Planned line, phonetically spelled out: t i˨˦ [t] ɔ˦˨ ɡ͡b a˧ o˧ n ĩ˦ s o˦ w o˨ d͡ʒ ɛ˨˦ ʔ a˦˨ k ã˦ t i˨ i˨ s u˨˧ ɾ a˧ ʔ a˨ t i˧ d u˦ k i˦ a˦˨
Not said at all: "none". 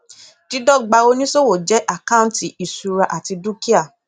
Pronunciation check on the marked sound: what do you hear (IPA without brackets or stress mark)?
d